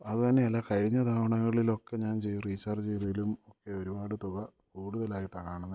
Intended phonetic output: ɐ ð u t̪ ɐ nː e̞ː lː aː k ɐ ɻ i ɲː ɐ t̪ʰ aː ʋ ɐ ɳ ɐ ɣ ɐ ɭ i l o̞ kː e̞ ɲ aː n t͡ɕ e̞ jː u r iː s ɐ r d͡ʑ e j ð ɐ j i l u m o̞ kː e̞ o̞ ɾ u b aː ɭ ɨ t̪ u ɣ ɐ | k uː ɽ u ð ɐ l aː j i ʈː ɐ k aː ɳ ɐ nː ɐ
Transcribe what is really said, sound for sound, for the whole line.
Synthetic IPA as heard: ɐ ð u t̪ ɐ nː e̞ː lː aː k ɐ ɻ i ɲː ɐ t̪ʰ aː ʋ ɐ ɳ ɐ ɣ ɐ ɭ i l o̞ kː e̞ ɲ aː n t͡ɕ e̞ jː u r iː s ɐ r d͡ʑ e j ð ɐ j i l u m o̞ kː e̞ o̞ ɾ u b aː ɽ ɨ t̪ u ɣ ɐ | k uː ɽ u ð ɐ l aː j i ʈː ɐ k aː ɳ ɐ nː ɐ